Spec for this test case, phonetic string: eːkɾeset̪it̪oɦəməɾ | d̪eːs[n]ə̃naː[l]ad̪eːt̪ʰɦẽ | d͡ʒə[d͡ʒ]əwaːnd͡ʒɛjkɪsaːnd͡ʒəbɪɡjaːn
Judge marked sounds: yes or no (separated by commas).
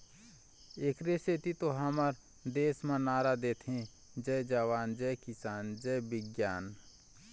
no, no, yes